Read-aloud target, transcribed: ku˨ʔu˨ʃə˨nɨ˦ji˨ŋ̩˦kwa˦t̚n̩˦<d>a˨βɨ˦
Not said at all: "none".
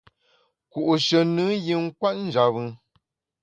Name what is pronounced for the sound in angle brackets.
d͡ʒ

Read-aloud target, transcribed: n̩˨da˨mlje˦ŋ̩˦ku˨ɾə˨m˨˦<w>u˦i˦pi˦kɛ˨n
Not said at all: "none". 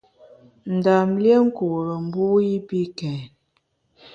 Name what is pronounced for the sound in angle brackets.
b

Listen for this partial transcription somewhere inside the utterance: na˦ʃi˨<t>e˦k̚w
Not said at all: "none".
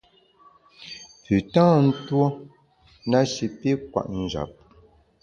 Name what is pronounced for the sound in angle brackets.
p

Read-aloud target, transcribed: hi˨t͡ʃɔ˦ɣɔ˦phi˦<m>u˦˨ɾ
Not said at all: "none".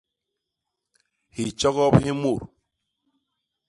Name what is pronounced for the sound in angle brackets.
m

